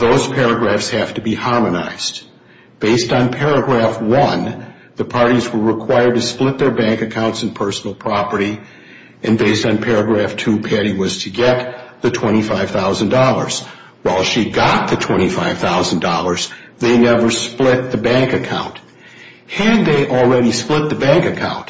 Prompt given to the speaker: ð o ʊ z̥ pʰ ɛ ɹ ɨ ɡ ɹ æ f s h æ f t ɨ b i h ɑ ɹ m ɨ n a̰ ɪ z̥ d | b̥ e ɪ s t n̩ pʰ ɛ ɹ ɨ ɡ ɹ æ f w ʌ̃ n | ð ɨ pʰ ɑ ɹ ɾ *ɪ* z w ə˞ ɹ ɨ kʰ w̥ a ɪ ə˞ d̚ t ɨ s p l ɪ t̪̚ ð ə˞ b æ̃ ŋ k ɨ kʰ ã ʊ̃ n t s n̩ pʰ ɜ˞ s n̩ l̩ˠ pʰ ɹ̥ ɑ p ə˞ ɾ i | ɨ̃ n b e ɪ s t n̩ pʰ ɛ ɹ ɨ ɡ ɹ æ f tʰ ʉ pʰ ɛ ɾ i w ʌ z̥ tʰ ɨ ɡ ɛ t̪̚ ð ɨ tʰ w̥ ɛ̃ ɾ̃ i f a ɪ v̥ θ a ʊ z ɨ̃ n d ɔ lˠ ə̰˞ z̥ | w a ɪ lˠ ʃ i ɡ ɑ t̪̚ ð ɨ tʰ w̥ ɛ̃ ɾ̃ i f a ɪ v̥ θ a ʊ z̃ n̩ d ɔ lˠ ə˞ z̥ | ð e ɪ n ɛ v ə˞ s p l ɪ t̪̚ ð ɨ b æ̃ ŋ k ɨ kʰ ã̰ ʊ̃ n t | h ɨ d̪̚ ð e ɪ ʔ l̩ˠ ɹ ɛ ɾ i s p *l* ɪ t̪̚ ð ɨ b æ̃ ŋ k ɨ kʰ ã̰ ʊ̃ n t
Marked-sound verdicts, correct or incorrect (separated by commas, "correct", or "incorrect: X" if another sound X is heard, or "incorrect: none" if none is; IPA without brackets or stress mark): incorrect: i, correct